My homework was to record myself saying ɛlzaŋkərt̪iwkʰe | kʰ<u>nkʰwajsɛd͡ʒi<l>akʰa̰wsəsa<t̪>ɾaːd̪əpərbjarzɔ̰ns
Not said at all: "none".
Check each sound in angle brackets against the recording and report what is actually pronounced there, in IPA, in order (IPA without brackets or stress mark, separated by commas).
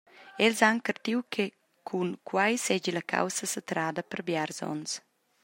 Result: u, l, t̪